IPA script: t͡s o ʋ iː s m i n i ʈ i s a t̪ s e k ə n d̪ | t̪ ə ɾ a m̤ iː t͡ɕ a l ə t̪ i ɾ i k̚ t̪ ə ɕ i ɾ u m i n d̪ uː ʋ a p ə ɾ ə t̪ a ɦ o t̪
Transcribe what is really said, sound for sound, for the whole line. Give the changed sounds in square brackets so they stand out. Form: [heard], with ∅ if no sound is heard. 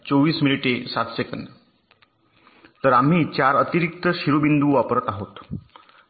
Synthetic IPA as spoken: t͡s o ʋ iː s m i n i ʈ [e] s a t̪ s e k ə n d̪ | t̪ ə ɾ a m̤ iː t͡ɕ a [ɾ] ə t̪ i ɾ i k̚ t̪ ə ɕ i ɾ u [b] i n d̪ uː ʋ a p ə ɾ ə t̪ a ɦ o t̪